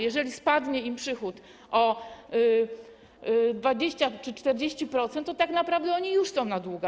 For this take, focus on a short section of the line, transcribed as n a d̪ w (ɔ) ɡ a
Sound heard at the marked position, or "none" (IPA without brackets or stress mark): u